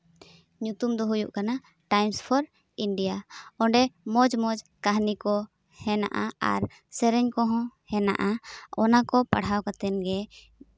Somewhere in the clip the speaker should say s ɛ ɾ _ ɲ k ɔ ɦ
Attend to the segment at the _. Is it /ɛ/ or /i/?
ɛ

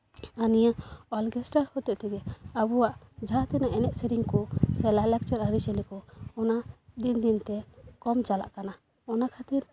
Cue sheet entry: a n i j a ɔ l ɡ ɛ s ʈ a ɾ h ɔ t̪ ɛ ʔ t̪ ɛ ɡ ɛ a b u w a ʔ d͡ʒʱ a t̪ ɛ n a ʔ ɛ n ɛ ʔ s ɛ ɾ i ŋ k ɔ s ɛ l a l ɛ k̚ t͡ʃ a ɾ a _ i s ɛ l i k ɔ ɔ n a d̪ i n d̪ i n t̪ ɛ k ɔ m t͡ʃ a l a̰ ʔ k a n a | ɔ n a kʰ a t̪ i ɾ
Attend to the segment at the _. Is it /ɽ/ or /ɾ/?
ɾ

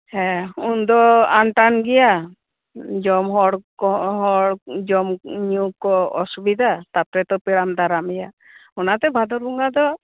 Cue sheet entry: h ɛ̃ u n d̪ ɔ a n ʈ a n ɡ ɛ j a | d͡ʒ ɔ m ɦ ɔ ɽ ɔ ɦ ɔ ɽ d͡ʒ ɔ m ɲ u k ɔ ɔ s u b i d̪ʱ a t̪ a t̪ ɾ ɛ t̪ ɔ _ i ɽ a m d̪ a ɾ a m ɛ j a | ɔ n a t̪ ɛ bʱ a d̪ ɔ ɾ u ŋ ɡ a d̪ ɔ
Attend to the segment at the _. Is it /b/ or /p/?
p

